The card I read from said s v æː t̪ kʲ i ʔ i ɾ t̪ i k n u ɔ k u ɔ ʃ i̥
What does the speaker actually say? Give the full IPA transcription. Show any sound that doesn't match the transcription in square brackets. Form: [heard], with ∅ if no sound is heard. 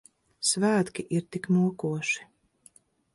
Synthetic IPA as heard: s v æː t̪ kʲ i ʔ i ɾ t̪ i k n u ɔ k u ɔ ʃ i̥